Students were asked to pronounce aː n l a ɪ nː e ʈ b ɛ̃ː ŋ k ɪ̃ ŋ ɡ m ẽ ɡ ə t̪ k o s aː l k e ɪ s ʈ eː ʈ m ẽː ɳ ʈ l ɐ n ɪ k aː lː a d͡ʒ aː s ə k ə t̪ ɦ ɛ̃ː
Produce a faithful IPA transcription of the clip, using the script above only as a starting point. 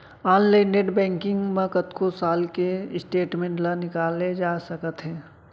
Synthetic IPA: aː n l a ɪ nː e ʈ b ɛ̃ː ŋ k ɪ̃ ŋ ɡ m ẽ k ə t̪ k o s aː l k e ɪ s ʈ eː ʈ m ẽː ɳ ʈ l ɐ n ɪ k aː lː e d͡ʒ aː s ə k ə t̪ ɦ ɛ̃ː

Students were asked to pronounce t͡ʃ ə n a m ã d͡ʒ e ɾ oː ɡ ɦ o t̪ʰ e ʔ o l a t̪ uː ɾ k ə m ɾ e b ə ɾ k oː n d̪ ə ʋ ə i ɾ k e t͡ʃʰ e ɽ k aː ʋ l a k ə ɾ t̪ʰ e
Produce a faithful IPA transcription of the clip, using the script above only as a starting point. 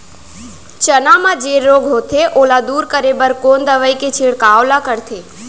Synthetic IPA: t͡ʃ ə n a m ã d͡ʒ e ɾ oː ɡ ɦ o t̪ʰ e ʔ o l a d̪ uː ɾ k ə ɾ e b ə ɾ k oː n d̪ ə ʋ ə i k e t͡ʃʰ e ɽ k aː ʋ l a k ə ɾ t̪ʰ e

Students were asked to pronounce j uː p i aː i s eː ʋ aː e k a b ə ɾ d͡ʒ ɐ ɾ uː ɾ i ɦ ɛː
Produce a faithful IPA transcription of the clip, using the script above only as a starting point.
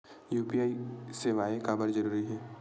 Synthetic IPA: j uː p i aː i s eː ʋ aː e k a b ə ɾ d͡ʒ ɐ ɾ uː ɾ i ɦ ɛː

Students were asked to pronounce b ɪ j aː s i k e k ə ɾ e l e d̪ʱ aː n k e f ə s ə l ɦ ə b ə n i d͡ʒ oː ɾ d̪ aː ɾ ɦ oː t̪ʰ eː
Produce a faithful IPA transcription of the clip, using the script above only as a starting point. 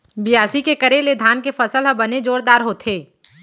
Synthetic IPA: b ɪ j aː s i k e k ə ɾ e l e d̪ʱ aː n k e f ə s ə l ɦ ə b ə n e d͡ʒ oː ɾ d̪ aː ɾ ɦ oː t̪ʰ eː

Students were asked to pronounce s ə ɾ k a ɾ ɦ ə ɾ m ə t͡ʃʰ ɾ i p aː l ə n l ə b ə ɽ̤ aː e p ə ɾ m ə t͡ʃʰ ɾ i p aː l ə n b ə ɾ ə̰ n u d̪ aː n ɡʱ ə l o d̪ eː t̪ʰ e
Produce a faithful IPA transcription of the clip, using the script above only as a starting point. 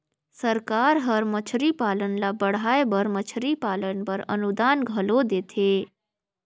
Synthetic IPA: s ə ɾ k a ɾ ɦ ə ɾ m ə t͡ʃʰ ɾ i p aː l ə n l a b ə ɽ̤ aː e b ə ɾ m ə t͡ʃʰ ɾ i p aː l ə n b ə ɾ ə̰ n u d̪ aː n ɡʱ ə l o d̪ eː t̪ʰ e

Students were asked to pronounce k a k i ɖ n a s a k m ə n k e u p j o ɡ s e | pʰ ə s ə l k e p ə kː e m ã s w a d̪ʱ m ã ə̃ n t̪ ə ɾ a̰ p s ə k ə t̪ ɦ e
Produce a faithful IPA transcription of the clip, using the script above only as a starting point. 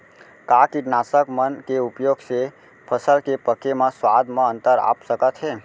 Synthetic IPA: k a k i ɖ n a s ə k m ə n k e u p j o ɡ s e | pʰ ə s ə l k e p ə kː e m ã s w a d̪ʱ m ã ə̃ n t̪ ə ɾ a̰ p s ə k ə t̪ ɦ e

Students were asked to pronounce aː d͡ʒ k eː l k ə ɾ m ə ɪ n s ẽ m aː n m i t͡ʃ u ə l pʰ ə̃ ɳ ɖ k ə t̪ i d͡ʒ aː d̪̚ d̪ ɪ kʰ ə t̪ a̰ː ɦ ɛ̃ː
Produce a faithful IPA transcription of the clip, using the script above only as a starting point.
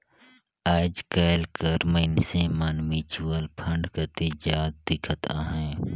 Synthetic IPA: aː d͡ʒ k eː l k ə ɾ m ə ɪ n s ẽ m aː n m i t͡ʃ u ə l pʰ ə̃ ɳ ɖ k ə t̪ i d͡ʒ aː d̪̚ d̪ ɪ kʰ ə t̪ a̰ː ɦ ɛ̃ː

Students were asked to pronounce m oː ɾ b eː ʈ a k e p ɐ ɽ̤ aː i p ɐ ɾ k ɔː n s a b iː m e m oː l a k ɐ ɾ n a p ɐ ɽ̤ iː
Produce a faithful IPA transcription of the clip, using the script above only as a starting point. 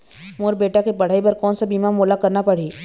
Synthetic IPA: m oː ɾ b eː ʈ a k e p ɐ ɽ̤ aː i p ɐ ɾ k ɔː n s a b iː m a m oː l a k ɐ ɾ n a p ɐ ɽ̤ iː

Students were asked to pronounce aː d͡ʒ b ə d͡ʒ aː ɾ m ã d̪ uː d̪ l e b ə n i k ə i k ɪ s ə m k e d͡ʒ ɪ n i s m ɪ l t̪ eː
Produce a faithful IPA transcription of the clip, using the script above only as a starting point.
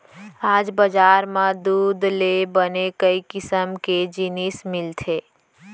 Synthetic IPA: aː d͡ʒ b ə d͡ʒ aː ɾ m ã d̪ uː d̪ l e b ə n e k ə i k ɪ s ə m k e d͡ʒ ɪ n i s m ɪ l t̪ʰ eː

